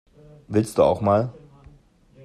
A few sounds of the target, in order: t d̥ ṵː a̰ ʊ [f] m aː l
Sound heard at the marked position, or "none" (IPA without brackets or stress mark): x